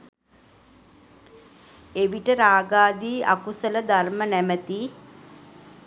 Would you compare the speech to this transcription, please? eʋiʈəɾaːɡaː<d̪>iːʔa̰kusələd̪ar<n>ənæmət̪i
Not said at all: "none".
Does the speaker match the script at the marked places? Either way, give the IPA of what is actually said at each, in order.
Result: d̪, m

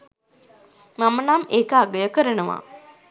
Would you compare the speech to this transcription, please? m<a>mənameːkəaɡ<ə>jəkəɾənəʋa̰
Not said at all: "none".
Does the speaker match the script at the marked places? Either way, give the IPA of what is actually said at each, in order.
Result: a, ə

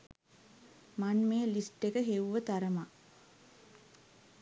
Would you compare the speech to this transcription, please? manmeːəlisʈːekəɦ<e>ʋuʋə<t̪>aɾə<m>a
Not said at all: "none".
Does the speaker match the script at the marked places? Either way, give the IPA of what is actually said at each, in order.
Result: e, t̪, m

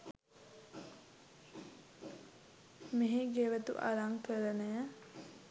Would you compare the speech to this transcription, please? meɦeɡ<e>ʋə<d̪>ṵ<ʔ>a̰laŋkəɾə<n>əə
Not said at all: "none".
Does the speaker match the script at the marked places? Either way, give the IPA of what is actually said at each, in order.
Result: e, t̪, ʔ, n

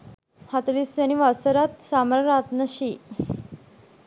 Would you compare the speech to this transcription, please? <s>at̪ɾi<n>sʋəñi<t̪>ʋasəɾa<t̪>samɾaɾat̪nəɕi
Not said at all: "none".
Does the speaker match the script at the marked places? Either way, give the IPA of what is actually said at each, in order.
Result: h, none, none, t̪

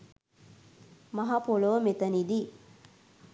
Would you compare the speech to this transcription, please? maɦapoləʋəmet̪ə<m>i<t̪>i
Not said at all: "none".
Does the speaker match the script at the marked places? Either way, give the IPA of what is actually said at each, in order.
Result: n, d̪

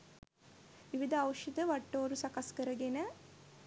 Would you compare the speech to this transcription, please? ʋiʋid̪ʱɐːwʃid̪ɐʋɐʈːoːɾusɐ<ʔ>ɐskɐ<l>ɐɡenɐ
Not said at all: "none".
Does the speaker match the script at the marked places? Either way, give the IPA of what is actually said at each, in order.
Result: k, ɾ

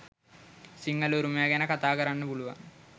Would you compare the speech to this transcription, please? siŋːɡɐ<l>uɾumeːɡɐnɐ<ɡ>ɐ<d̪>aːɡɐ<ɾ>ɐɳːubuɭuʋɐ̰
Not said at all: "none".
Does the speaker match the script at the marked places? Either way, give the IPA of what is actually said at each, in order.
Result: l, k, t̪, ɾ

